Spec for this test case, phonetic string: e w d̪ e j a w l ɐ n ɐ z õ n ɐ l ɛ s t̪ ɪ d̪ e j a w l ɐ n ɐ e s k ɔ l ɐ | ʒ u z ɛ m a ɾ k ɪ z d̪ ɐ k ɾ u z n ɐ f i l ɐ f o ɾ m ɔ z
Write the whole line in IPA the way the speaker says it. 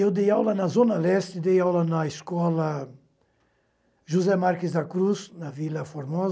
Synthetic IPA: e w d̪ e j a w l ɐ n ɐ z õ n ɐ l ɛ s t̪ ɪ d̪ e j a w l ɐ n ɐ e s k ɔ l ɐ | ʒ u z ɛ m a ɾ k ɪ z d̪ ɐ k ɾ u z n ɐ v i l ɐ f o ɾ m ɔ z